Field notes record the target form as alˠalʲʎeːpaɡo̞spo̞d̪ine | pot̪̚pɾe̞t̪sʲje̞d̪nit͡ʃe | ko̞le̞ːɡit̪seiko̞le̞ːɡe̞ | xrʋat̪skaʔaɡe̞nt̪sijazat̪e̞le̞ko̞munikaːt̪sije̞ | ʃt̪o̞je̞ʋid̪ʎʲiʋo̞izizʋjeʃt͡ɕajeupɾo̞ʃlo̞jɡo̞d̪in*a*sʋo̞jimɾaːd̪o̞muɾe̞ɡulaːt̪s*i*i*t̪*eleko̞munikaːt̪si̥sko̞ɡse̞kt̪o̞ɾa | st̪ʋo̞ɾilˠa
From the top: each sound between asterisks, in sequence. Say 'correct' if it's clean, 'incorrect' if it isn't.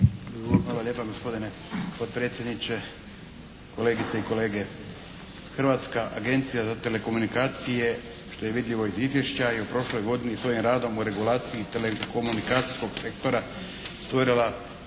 incorrect, correct, correct

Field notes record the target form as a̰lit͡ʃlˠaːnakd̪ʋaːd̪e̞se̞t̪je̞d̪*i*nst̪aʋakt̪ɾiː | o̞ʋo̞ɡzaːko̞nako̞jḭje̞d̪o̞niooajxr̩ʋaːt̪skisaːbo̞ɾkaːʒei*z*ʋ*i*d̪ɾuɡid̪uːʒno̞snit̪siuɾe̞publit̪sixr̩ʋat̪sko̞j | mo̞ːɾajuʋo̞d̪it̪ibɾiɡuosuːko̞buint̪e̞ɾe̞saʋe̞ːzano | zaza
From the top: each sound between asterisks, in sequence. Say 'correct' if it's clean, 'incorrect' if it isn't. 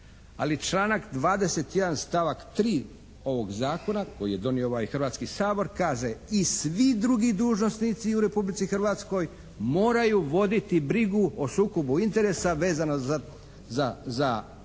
incorrect, incorrect, correct

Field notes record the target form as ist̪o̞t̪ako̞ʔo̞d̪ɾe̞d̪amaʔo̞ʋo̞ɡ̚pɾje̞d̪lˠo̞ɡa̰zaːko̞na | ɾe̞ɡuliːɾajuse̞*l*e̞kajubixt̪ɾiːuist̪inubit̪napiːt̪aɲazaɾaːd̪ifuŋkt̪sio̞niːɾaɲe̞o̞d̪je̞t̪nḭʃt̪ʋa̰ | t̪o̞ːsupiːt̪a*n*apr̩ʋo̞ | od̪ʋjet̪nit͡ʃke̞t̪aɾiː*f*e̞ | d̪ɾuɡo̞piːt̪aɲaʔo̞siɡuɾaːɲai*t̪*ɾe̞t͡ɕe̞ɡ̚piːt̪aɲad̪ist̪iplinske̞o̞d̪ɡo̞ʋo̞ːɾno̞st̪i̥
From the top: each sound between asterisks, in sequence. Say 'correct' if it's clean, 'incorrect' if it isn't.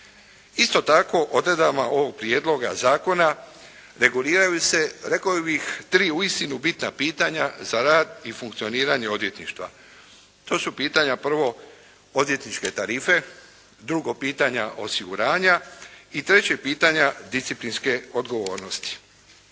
incorrect, incorrect, correct, correct

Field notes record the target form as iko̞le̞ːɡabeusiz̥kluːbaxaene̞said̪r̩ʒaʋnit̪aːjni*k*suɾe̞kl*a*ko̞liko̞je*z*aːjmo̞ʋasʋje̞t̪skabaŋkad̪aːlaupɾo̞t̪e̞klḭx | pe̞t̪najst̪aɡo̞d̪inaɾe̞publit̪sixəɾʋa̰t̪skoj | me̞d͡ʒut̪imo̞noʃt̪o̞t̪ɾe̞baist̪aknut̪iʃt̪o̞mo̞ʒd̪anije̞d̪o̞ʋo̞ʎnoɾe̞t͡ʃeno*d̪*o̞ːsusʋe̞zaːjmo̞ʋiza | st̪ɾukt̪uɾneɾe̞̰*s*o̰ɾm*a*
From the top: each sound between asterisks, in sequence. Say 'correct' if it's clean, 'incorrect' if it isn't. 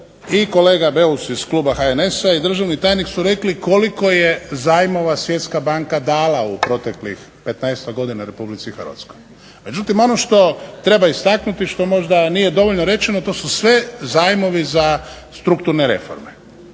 correct, incorrect, correct, incorrect, incorrect, incorrect

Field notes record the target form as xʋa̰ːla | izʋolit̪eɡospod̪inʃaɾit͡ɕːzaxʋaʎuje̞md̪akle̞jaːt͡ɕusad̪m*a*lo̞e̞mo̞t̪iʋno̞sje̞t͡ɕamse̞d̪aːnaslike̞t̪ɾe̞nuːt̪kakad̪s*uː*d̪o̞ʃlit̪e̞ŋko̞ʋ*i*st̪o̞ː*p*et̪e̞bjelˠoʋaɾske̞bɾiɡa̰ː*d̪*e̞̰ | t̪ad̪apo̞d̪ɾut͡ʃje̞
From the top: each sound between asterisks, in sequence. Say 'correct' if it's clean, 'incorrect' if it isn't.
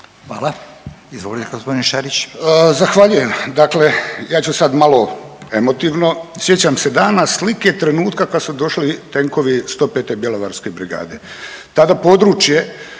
correct, incorrect, correct, correct, correct

